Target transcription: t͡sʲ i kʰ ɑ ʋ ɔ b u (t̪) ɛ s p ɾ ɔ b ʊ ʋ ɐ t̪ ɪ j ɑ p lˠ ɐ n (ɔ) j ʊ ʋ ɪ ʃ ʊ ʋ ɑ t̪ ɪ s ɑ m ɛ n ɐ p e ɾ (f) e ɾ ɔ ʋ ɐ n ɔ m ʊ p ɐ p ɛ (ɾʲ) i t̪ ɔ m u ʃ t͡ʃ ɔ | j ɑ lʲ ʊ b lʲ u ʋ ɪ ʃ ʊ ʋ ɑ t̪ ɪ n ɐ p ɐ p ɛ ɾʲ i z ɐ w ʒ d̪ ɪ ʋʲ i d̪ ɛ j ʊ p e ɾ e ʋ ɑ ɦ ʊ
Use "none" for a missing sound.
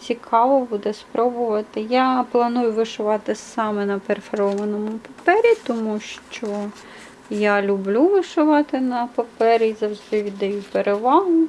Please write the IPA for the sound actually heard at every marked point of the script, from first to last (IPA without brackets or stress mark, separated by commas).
d̪, u, f, ɾʲ